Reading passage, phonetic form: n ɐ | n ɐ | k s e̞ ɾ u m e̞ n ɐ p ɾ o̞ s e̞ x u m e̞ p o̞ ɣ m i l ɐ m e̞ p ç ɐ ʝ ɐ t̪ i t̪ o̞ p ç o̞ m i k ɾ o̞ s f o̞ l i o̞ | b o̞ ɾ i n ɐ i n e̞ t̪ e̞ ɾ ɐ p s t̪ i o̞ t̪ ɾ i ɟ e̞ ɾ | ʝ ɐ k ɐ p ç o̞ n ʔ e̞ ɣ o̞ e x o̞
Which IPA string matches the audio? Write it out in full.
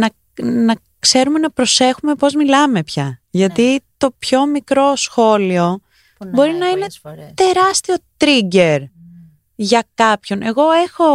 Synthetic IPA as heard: n ɐ | n ɐ | k s e̞ ɾ u m e̞ n ɐ p ɾ o̞ s e̞ x u m e̞ p o̞ z m i l ɐ m e̞ p ç ɐ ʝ ɐ t̪ i t̪ o̞ p ç o̞ m i k ɾ o̞ s x o̞ l i o̞ | b o̞ ɾ i n ɐ i n e̞ t̪ e̞ ɾ ɐ s t̪ i o̞ t̪ ɾ i ɟ e̞ ɾ | ʝ ɐ k ɐ p ç o̞ n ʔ e̞ ɣ o̞ e x o̞